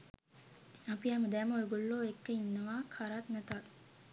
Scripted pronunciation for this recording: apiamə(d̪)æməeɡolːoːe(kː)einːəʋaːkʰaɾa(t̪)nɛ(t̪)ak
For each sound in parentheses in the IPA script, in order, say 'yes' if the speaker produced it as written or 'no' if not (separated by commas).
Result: yes, yes, yes, yes